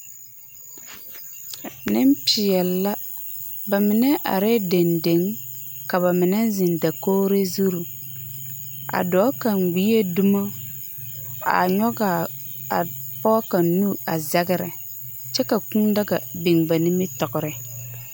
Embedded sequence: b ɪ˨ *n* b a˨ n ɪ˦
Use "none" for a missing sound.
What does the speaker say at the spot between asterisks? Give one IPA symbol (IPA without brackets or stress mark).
ŋ